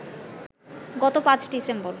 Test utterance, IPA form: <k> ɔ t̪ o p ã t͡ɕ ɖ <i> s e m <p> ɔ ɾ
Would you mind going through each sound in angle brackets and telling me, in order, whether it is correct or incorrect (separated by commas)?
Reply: incorrect, correct, incorrect